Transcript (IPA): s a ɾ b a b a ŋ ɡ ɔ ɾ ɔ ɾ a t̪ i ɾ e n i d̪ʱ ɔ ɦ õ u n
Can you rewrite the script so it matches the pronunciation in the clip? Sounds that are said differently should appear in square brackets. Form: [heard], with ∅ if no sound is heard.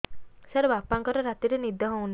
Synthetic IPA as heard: s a ɾ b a [p] a ŋ [k] ɔ ɾ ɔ ɾ a t̪ i ɾ e n i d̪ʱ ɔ ɦ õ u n